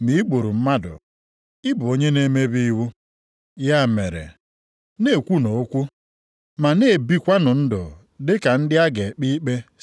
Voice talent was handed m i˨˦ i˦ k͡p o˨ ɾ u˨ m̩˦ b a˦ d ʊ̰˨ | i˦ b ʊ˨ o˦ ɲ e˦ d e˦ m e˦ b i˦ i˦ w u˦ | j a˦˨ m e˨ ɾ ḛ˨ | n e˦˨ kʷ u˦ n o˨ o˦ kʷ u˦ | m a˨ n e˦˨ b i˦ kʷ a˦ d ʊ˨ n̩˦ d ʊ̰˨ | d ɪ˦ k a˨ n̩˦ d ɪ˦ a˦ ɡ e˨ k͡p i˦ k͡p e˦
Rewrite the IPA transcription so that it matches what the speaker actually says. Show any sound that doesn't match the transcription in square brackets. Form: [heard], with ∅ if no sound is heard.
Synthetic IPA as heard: m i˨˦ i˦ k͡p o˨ ɾ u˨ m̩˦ [m] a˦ d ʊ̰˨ | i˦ b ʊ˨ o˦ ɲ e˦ [n] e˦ m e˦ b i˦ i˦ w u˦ | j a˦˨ m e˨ ɾ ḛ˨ | n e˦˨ kʷ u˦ n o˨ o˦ kʷ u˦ | m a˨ n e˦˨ b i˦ kʷ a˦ [n] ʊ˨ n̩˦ d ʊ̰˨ | d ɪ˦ k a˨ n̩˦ d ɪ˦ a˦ ɡ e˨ k͡p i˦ k͡p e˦